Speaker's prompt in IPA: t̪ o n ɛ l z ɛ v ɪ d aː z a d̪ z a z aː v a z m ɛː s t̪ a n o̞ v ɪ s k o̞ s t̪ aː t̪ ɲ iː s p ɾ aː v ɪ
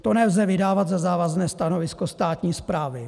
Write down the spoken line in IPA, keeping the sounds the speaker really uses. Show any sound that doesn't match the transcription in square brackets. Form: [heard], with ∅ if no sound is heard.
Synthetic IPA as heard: t̪ o n ɛ l z ɛ v ɪ d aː [v] a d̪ z a z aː v a z [n] ɛː s t̪ a n o̞ v ɪ s k o̞ s t̪ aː t̪ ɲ iː s p ɾ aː v ɪ